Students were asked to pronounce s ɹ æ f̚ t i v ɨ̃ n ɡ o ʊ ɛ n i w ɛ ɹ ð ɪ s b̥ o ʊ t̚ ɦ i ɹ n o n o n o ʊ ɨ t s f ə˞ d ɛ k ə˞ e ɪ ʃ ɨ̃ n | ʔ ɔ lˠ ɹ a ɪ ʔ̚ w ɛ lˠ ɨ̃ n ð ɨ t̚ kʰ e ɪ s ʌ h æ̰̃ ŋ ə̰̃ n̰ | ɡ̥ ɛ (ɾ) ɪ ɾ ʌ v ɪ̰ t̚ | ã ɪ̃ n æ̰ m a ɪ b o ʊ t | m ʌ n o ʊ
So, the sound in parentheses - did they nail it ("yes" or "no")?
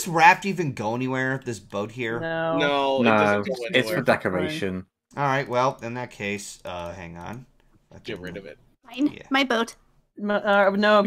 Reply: no